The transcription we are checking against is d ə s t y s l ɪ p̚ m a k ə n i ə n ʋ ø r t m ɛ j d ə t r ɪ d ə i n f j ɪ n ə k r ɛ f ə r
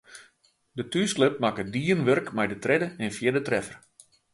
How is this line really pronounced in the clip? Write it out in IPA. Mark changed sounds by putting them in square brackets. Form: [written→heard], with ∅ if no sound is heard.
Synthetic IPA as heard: d ə [s→∅] t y s l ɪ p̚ m a k ə [n→d] i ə n ʋ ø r [t→k] m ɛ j d ə t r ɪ d ə [i→ɛ] n f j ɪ [n→d] ə [k→t] r ɛ f ə r